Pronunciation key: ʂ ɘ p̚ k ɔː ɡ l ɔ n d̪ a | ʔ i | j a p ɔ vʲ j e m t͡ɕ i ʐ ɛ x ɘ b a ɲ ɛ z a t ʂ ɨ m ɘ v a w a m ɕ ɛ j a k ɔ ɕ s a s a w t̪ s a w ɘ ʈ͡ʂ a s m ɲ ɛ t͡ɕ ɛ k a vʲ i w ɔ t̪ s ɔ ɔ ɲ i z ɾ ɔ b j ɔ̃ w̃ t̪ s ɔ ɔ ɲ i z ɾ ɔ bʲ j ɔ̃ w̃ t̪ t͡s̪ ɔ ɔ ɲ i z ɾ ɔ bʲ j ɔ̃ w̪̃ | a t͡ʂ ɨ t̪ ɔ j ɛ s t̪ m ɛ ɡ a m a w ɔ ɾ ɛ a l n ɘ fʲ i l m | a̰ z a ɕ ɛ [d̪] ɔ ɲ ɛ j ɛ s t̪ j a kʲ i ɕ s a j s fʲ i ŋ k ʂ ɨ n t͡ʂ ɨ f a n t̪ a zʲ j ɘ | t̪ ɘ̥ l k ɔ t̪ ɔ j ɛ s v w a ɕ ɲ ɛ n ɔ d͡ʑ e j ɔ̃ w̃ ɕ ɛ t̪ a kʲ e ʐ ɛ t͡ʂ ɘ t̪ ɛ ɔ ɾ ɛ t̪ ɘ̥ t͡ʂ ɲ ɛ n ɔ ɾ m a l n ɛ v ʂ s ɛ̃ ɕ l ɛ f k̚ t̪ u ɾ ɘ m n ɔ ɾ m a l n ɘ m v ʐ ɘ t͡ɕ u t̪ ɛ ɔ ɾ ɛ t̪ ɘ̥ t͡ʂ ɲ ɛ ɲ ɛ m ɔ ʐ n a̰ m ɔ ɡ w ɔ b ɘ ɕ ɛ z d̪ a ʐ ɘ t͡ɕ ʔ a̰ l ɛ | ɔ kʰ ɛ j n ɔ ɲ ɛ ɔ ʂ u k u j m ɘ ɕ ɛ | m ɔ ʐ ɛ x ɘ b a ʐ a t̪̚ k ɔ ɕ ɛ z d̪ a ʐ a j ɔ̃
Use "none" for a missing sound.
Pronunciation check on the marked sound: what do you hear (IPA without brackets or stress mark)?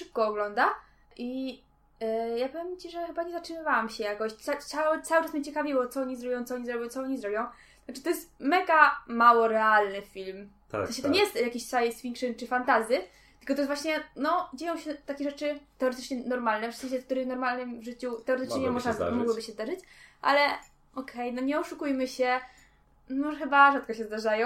t̪